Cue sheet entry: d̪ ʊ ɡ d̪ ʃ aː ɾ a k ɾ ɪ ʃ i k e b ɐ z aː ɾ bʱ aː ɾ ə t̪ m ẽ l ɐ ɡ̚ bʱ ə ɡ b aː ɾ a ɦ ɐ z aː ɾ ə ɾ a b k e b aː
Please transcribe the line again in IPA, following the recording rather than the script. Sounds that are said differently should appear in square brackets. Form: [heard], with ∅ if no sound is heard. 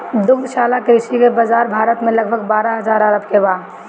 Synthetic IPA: d̪ ʊ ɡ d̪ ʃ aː [l] a k ɾ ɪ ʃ i k e b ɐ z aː ɾ bʱ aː ɾ ə t̪ m ẽ l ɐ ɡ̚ bʱ ə ɡ b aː ɾ a ɦ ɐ z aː ɾ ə ɾ [ə] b k e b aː

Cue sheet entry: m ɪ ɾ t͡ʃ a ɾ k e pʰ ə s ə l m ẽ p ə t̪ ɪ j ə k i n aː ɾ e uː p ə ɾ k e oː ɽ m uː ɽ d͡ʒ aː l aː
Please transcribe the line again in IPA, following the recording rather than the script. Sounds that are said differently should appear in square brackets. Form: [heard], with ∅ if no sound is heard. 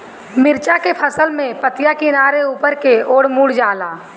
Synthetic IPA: m ɪ ɾ t͡ʃ a [∅] k e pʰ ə s ə l m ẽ p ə t̪ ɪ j [a] k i n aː ɾ e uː p ə ɾ k e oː ɽ m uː ɽ d͡ʒ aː l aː

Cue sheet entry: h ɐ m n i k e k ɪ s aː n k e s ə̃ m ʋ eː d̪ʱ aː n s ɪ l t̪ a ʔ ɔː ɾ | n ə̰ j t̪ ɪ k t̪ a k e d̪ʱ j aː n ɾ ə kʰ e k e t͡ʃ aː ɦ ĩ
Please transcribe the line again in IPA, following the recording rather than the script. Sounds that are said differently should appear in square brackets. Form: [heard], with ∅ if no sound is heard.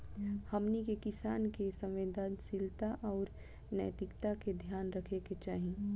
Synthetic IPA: h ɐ m n i k e k ɪ s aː n k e s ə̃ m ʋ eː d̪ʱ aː n s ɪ l t̪ a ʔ ɔː ɾ | n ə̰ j t̪ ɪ k t̪ a k e d̪ʱ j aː n ɾ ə kʰ e k e t͡ʃ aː ɦ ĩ

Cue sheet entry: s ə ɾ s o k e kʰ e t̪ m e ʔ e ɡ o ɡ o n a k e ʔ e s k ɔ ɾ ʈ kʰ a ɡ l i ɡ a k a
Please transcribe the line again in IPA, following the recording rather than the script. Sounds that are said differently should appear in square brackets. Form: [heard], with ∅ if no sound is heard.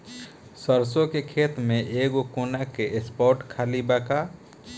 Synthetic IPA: s ə ɾ s o k e kʰ e t̪ m e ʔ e ɡ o [k] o n a k e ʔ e s [p] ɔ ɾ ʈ kʰ a [∅] l i [b] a k a

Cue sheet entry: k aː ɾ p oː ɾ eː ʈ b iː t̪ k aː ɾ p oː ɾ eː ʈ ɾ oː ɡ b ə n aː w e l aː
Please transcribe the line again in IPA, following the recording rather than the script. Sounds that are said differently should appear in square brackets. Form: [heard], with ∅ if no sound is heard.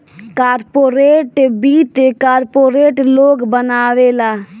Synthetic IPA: k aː ɾ p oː ɾ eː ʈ b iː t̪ k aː ɾ p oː ɾ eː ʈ [l] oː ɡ b ə n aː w e l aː

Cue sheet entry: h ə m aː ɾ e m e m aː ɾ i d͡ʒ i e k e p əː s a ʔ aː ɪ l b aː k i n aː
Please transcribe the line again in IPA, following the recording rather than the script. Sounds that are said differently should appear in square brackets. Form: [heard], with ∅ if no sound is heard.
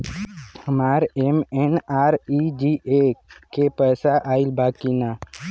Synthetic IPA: h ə m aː ɾ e m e [n] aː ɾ i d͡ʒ i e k e p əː s a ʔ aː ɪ l b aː k i n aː

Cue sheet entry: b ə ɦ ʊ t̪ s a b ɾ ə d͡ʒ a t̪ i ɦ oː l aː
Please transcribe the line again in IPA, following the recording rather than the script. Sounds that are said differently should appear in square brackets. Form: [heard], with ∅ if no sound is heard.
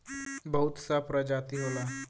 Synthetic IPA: b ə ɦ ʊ t̪ s a [p] ɾ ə d͡ʒ a t̪ i ɦ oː l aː

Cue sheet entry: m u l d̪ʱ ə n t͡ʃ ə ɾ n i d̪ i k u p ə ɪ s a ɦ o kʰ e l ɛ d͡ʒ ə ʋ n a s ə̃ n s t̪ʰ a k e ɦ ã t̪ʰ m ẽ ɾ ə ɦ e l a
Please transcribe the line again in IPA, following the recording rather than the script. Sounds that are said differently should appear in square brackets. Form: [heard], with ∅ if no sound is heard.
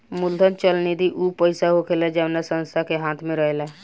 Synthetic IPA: m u l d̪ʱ ə n t͡ʃ ə [l] n i d̪ i [ʔ] u p ə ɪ s a ɦ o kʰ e l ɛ d͡ʒ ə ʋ n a s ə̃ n s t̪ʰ a k e ɦ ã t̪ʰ m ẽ ɾ ə ɦ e l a

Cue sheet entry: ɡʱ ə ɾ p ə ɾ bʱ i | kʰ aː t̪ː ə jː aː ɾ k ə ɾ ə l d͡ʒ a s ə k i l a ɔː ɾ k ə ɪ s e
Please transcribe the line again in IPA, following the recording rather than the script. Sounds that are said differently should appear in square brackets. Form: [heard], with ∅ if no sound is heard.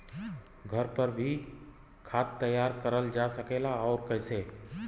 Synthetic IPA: ɡʱ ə ɾ p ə ɾ bʱ i | kʰ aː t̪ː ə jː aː ɾ k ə ɾ ə l d͡ʒ a s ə k [e] l a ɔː ɾ k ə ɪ s e

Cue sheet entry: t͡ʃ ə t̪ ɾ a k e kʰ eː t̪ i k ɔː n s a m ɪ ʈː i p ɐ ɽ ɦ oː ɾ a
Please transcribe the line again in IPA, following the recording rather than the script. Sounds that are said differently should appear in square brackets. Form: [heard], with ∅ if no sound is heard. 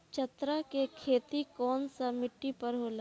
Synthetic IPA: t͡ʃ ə t̪ ɾ a k e kʰ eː t̪ i k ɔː n s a m ɪ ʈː i p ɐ [ɾ] ɦ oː [l] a

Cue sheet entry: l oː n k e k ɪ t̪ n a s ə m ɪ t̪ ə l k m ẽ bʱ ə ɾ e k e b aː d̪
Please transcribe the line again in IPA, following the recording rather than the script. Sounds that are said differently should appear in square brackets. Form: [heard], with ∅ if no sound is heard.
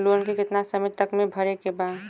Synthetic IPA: l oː n k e k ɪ t̪ n a s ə m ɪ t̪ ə [∅] k m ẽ bʱ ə ɾ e k e b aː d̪

